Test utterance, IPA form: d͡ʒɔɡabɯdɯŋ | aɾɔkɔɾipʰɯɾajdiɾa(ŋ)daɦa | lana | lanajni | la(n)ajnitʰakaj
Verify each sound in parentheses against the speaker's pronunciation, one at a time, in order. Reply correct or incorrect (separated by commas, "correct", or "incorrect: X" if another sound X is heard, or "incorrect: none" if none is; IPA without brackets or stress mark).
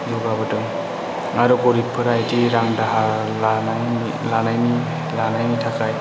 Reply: correct, correct